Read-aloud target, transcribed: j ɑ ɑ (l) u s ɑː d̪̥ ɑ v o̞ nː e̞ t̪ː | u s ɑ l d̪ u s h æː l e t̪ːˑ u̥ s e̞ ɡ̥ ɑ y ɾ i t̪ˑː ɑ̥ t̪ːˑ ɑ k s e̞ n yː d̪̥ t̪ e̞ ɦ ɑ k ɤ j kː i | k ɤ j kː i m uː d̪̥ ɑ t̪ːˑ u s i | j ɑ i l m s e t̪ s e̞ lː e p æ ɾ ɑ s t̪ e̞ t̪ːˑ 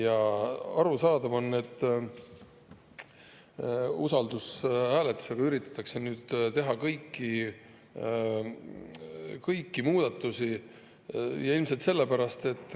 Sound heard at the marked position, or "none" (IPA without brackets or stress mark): ɾ